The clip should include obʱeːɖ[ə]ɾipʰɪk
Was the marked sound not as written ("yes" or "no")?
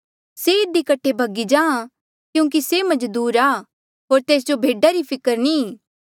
yes